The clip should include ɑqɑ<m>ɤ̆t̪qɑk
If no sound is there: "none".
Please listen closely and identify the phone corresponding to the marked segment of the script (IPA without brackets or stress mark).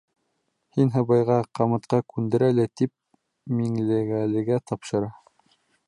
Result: m